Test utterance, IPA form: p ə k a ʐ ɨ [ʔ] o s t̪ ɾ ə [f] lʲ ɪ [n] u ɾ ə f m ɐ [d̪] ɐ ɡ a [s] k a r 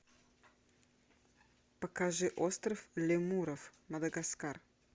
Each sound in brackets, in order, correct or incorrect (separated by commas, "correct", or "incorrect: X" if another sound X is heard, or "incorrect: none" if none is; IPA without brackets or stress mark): correct, correct, incorrect: m, correct, correct